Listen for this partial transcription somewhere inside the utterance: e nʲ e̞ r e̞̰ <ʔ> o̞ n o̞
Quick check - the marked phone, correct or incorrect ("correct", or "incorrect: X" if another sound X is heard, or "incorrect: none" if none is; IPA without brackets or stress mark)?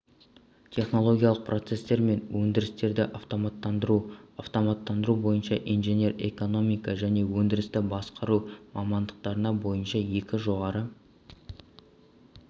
incorrect: k